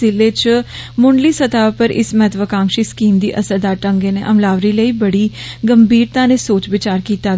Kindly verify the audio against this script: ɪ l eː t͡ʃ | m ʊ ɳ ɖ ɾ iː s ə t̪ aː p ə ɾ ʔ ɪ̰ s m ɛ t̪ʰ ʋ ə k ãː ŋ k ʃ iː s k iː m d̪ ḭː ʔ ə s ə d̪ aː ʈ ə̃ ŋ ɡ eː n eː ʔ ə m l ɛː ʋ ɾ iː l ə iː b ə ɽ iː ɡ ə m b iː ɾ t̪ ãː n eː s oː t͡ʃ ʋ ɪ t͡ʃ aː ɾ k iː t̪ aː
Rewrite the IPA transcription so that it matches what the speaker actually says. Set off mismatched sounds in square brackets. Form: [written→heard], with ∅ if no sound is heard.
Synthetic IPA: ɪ l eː t͡ʃ | m ʊ ɳ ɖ [ɾ→l] iː s ə t̪ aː p ə ɾ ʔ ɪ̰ s m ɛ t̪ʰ ʋ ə k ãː ŋ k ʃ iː s k iː m d̪ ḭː ʔ ə s ə d̪ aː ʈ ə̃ ŋ ɡ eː n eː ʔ ə m l [ɛː→aː] ʋ ɾ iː l ə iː b ə ɽ iː ɡ ə m b iː ɾ t̪ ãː n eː s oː t͡ʃ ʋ ɪ t͡ʃ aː ɾ k iː t̪ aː